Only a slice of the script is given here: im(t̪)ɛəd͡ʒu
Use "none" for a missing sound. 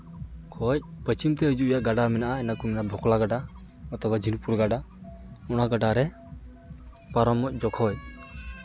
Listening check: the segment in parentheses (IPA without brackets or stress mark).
t̪